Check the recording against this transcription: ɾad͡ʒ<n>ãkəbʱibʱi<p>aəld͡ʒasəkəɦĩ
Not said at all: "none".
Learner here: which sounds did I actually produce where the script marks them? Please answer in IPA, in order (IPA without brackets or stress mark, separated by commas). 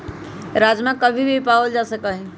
m, p